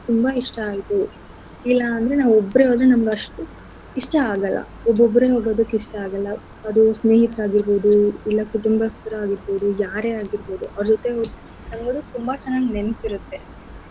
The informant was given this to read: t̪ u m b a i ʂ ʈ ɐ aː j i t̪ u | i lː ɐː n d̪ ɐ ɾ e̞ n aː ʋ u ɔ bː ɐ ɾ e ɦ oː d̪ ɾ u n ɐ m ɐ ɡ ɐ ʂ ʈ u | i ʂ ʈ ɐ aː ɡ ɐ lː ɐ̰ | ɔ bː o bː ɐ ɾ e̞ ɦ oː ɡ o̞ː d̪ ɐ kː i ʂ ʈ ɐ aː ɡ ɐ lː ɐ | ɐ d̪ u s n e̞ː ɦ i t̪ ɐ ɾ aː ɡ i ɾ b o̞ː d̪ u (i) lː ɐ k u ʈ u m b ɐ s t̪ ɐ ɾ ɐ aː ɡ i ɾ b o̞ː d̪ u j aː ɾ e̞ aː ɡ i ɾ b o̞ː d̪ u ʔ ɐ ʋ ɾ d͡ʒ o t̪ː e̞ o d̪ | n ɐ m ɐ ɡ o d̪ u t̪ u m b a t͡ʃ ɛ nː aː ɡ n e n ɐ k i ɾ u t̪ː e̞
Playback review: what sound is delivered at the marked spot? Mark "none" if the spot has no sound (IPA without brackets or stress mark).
i